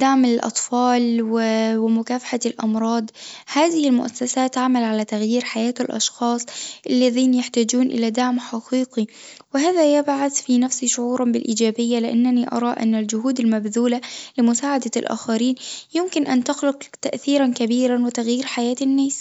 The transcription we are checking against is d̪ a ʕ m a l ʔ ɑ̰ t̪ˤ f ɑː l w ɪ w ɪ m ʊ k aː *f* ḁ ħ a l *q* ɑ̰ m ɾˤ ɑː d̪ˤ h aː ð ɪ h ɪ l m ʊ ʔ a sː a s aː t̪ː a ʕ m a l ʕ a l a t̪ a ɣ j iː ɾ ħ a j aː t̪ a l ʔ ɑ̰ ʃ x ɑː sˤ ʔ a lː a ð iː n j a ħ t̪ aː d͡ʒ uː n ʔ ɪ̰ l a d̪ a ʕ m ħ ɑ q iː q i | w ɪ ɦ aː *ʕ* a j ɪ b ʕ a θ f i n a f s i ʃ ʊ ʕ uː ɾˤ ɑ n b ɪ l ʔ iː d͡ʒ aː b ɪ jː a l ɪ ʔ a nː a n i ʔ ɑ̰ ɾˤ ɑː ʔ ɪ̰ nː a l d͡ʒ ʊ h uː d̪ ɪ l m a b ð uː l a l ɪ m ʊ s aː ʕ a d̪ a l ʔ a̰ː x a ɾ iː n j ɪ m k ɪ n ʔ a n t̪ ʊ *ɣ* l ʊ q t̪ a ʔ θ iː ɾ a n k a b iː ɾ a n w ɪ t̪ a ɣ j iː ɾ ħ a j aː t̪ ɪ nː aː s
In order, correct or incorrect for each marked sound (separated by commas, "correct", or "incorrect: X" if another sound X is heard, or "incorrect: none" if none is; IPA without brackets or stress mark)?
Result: correct, incorrect: ʔ, incorrect: ð, incorrect: x